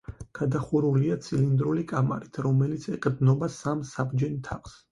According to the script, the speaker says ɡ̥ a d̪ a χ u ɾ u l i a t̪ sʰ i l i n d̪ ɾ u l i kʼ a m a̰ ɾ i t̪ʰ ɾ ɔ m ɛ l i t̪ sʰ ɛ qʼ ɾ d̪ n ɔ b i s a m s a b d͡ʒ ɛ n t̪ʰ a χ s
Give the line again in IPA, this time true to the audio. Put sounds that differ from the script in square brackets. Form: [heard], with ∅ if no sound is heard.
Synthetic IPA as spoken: ɡ̥ a d̪ a χ u ɾ u l i a t̪ sʰ i l i n d̪ ɾ u l i kʼ a m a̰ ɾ i t̪ʰ ɾ ɔ m ɛ l i t̪ sʰ ɛ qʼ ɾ d̪ n ɔ b [a] s a m s a b d͡ʒ ɛ n t̪ʰ a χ s

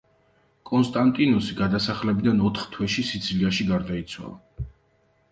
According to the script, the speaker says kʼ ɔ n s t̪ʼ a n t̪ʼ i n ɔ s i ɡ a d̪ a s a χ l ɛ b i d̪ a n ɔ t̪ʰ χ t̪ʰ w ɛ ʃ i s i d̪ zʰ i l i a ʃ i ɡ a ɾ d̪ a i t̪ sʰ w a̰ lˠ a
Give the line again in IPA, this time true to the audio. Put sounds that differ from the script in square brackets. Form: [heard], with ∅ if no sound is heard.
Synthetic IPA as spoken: kʼ ɔ n s t̪ʼ a n t̪ʼ i n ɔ s i ɡ a d̪ a s a χ l ɛ b i d̪ a n ɔ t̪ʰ χ t̪ʰ w ɛ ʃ i s i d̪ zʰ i l i a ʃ i ɡ a ɾ d̪ a i t̪ sʰ w a̰ lˠ a

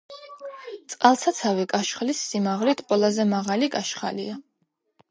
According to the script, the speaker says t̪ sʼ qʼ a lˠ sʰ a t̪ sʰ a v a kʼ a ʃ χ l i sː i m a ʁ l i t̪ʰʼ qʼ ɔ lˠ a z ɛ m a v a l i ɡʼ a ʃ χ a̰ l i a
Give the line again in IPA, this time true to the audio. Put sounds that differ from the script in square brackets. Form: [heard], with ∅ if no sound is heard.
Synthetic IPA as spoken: t̪ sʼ qʼ a lˠ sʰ a t̪ sʰ a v [i] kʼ a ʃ χ l i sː i m a ʁ l i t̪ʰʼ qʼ ɔ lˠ a z ɛ m a [ʁ] a l i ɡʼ a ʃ χ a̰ l i a

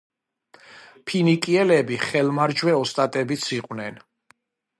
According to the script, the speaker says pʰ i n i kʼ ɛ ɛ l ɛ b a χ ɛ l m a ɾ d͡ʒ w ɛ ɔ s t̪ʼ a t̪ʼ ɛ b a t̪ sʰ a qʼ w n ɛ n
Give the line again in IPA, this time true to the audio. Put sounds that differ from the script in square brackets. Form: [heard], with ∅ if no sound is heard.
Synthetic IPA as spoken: pʰ i n i kʼ [i] ɛ l ɛ b [i] χ ɛ l m a ɾ d͡ʒ w ɛ ɔ s t̪ʼ a t̪ʼ ɛ b [i] t̪ sʰ [i] qʼ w n ɛ n

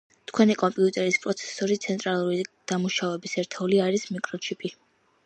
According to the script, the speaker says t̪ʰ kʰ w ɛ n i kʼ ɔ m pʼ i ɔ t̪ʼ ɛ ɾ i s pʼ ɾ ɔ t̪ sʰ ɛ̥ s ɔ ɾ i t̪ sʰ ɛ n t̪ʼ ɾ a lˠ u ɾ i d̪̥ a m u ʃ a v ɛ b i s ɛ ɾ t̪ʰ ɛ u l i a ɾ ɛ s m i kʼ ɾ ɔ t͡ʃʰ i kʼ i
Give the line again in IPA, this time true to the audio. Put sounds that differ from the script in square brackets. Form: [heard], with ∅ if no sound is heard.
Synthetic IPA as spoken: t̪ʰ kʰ w ɛ n i kʼ ɔ m pʼ i [u] t̪ʼ ɛ ɾ i s pʼ ɾ ɔ t̪ sʰ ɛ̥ s ɔ ɾ i t̪ sʰ ɛ n t̪ʼ ɾ a lˠ u ɾ i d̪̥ a m u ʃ a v ɛ b i s ɛ ɾ t̪ʰ ɛ u l i a ɾ [i] s m i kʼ ɾ ɔ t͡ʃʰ i [pʼ] i

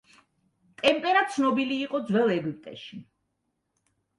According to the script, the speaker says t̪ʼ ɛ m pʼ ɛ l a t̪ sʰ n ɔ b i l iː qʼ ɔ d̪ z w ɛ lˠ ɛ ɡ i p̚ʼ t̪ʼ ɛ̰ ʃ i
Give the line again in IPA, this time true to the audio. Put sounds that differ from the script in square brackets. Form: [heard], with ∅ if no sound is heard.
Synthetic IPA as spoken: t̪ʼ ɛ m pʼ ɛ [ɾ] a t̪ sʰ n ɔ b i l iː qʼ ɔ d̪ z w ɛ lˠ ɛ ɡ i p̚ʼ t̪ʼ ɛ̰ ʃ i

